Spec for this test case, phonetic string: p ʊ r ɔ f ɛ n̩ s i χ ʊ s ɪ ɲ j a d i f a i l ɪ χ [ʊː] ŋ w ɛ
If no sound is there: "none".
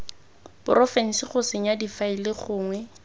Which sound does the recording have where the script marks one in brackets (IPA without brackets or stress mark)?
ʊː